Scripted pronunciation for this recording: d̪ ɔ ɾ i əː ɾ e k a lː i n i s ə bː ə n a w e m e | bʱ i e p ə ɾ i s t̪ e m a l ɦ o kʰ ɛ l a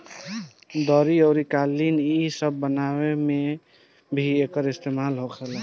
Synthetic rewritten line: d̪ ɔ ɾ i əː ɾ i k a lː i n i s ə bː ə n a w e m e | bʱ i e k ə ɾ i s t̪ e m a l ɦ o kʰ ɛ l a